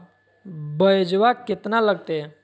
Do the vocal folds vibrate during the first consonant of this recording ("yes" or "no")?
yes